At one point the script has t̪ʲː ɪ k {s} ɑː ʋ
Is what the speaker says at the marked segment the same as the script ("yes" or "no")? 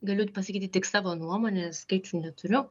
yes